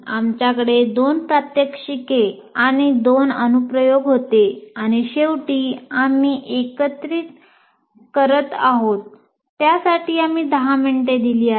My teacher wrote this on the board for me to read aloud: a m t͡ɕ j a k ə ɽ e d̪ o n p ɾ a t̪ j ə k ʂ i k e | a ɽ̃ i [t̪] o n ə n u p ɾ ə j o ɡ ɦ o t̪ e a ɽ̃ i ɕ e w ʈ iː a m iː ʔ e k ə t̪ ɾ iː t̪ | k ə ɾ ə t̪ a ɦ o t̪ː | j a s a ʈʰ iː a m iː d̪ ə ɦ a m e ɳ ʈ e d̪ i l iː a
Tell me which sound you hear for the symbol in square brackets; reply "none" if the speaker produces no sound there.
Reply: d̪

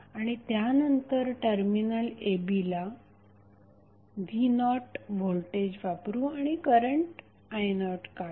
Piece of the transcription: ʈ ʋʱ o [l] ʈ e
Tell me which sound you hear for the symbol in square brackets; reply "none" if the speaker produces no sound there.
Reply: l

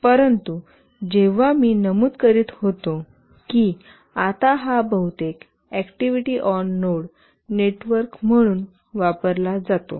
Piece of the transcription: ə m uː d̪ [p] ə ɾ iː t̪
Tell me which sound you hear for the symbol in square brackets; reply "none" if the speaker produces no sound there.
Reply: k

